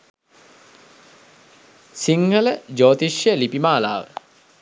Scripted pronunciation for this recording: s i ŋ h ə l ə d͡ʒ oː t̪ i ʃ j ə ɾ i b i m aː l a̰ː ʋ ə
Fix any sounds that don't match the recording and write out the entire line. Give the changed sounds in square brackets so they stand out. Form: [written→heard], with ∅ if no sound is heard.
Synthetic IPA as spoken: s i ŋ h ə l ə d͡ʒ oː t̪ i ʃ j ə [ɾ→l] i [b→p] i m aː l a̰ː ʋ ə